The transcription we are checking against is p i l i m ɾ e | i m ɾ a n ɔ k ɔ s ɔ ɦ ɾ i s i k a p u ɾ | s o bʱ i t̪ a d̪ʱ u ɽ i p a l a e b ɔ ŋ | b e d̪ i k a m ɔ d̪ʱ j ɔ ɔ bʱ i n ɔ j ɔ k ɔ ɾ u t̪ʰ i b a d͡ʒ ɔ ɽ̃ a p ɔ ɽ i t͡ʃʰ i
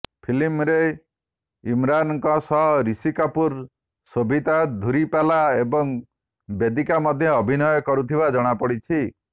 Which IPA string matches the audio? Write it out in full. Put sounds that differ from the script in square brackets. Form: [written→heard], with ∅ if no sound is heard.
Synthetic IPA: [p→pʰ] i l i m ɾ e | i m ɾ a n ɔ k ɔ s ɔ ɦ ɾ i s i k a p u ɾ | s o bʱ i t̪ a d̪ʱ u [ɽ→ɾ] i p a l a e b ɔ ŋ | b e d̪ i k a m ɔ d̪ʱ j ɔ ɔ bʱ i n ɔ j ɔ k ɔ ɾ u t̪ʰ i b a d͡ʒ ɔ ɽ̃ a p ɔ ɽ i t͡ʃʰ i